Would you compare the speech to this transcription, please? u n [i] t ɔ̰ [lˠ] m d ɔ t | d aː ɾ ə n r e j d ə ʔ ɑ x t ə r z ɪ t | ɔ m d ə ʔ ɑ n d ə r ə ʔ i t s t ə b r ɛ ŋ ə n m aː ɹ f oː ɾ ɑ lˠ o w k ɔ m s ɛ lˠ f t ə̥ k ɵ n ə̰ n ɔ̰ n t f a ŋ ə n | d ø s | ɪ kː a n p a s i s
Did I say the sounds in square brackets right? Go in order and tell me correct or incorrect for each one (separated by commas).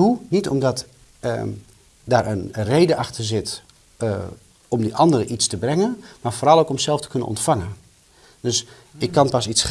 correct, incorrect